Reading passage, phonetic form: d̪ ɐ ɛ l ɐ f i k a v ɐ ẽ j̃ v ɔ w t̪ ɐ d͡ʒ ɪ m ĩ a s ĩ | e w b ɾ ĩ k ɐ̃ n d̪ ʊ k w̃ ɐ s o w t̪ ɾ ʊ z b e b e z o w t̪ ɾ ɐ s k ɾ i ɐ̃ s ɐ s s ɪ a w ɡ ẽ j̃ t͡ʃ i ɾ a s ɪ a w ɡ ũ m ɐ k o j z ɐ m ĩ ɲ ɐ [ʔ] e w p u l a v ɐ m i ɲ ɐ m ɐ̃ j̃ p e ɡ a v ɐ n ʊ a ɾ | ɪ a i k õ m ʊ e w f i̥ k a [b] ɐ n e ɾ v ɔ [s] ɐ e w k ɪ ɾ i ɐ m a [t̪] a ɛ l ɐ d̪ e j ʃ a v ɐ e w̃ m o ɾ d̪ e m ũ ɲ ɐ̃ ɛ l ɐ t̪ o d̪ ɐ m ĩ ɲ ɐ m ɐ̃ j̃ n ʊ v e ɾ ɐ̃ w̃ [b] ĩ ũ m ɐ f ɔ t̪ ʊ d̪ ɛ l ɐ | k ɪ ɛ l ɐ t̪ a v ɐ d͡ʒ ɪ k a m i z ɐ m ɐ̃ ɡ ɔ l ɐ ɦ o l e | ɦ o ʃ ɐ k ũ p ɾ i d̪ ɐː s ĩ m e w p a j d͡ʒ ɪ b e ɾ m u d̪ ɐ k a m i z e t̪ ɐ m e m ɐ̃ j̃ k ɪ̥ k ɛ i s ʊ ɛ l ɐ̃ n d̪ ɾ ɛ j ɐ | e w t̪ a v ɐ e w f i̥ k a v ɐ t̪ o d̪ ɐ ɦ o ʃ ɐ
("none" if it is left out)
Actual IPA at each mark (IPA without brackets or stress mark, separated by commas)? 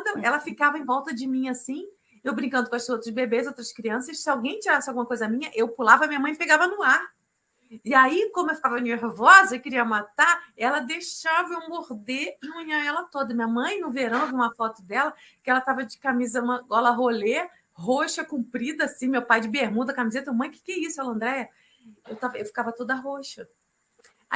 ʔ, v, z, t̪, v